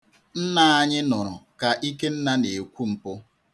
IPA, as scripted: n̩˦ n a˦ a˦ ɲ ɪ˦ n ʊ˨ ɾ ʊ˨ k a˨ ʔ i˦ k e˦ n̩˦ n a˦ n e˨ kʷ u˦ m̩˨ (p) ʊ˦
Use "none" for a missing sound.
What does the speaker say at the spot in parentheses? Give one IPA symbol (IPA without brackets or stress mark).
p